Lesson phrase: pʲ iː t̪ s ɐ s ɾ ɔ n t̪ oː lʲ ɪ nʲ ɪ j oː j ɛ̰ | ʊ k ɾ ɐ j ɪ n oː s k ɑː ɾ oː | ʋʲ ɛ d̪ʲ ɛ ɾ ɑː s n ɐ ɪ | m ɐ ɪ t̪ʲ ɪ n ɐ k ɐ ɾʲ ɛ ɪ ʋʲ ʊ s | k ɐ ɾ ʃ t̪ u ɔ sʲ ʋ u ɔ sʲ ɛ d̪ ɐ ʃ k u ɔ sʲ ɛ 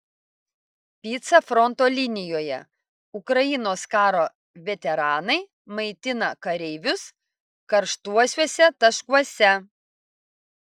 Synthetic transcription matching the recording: pʲ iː t̪ s ɐ f ɾ ɔ n t̪ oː lʲ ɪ nʲ ɪ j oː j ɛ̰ | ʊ k ɾ ɐ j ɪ n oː s k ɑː ɾ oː | ʋʲ ɛ t̪ʲ ɛ ɾ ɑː n ɐ ɪ | m ɐ ɪ t̪ʲ ɪ n ɐ k ɐ ɾʲ ɛ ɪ ʋʲ ʊ s | k ɐ ɾ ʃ t̪ u ɔ sʲ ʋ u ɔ sʲ ɛ t̪ ɐ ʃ k u ɔ sʲ ɛ